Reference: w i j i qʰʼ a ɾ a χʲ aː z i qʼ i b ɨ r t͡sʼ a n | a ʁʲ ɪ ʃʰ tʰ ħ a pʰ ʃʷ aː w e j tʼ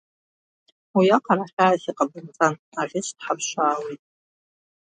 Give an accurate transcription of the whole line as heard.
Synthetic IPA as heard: w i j a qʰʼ a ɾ a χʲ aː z i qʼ a b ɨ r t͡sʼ a n | a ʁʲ ɪ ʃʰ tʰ ħ a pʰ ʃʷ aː w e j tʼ